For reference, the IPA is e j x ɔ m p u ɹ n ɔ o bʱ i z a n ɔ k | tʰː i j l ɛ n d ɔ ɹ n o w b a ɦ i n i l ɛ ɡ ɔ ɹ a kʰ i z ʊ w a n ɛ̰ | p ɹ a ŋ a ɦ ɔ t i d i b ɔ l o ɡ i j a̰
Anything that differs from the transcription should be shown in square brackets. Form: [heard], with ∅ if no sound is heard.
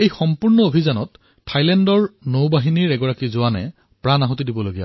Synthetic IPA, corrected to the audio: e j x ɔ m p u ɹ n ɔ o bʱ i z a n ɔ [t] | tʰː [a] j l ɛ n d ɔ ɹ n o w b a ɦ i n i [ɹ] ɛ ɡ ɔ ɹ a [k] i z ʊ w a n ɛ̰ | p ɹ a [n] a ɦ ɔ t i d i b ɔ l o ɡ i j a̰